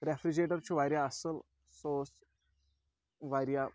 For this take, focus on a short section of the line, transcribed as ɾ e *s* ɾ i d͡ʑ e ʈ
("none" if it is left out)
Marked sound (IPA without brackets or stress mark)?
f